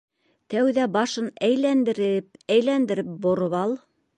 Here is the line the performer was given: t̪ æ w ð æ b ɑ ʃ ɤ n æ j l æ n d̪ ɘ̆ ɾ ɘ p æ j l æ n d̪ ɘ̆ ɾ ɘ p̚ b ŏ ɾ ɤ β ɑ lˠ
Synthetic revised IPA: t̪ æ w ð æ b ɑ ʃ ɤ n æ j l æ n d̪ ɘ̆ ɾ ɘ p æ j l æ n d̪ ɘ̆ ɾ ɘ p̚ b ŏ ɾ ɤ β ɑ lˠ